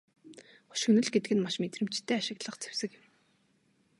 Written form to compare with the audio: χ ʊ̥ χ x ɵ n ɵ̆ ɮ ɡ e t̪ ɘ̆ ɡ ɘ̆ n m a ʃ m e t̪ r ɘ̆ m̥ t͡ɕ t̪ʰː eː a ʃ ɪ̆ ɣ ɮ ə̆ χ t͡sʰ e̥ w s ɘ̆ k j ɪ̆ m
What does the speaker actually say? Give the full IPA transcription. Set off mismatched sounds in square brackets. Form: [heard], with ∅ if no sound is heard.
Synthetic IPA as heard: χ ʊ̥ [ʃ] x ɵ n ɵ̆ ɮ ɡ e t̪ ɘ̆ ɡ ɘ̆ n m a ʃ m e t̪ r ɘ̆ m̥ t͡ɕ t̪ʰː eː a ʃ ɪ̆ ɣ ɮ ə̆ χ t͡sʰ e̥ w s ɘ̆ k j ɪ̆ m